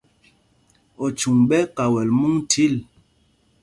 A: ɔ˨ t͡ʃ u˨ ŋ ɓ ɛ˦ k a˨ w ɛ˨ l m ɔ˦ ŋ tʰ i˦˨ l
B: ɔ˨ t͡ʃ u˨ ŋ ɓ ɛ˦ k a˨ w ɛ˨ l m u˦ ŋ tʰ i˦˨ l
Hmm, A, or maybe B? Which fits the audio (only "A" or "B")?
B